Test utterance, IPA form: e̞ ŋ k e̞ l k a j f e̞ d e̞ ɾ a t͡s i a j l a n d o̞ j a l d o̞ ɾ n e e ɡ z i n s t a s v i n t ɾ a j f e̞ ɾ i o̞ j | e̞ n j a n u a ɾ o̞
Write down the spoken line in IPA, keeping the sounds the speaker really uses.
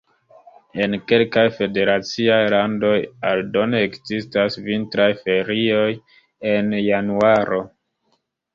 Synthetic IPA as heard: e̞ n k e̞ l k a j f e̞ d e̞ ɾ a t͡s i a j l a n d o̞ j a l d o̞ n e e k z i s t a s v i n t ɾ a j f e̞ ɾ i o̞ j | e̞ n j a n u a ɾ o̞